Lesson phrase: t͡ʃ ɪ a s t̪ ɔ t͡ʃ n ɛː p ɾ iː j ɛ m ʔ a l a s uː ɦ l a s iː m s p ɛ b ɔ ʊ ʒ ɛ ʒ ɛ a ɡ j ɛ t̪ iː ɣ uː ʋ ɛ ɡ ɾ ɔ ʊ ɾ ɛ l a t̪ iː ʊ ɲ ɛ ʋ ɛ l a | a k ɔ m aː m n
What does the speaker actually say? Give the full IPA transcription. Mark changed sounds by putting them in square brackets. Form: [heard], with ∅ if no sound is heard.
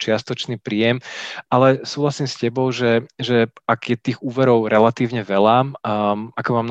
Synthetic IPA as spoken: t͡ʃ ɪ a s t̪ ɔ t͡ʃ n [iː] p ɾ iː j ɛ m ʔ a l [ɛ] s uː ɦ l a s iː m s [c] ɛ b ɔ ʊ ʒ ɛ ʒ ɛ a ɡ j ɛ t̪ iː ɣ uː ʋ ɛ [∅] ɾ ɔ ʊ ɾ ɛ l a t̪ iː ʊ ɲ ɛ ʋ ɛ l a | a k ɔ m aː m n